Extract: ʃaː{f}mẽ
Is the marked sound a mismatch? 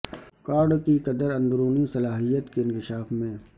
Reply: no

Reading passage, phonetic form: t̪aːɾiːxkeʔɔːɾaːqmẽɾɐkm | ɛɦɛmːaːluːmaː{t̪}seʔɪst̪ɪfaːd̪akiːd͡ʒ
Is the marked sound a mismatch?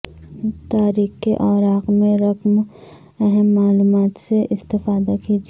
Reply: no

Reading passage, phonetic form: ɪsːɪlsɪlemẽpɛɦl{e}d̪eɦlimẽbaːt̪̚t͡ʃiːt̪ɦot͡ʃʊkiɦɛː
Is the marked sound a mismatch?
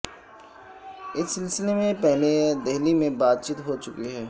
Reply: no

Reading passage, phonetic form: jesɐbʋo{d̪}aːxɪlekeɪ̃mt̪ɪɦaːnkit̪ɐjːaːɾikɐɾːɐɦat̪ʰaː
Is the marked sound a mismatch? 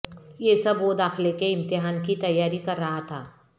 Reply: no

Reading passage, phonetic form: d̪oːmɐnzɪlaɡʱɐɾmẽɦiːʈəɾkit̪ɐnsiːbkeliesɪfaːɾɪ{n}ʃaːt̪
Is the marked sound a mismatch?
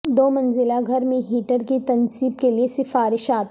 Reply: yes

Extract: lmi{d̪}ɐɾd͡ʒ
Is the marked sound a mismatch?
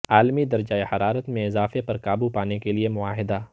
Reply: no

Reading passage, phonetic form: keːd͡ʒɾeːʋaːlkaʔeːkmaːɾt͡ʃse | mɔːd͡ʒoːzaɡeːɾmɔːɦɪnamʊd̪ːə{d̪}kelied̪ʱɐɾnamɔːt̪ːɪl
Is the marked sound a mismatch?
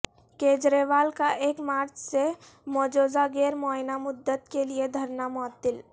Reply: yes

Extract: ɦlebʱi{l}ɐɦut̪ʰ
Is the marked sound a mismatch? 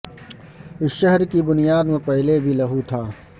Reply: no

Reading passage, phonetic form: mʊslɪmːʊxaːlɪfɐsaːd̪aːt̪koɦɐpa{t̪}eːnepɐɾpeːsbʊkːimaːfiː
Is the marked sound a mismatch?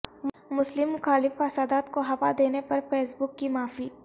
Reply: yes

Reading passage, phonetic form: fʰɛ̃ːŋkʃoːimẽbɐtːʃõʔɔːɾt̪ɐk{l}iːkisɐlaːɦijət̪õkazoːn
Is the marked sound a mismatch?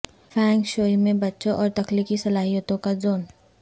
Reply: no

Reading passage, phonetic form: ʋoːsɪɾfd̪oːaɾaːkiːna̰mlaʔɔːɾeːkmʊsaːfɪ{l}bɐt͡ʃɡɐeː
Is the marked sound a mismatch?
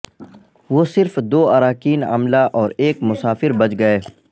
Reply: yes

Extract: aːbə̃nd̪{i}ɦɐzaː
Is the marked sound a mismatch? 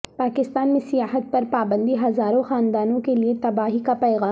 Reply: no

